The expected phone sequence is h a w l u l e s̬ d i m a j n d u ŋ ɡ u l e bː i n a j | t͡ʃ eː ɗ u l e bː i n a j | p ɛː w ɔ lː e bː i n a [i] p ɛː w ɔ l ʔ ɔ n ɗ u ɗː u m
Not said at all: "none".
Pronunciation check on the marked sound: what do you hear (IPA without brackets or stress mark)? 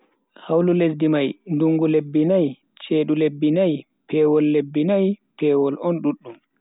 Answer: j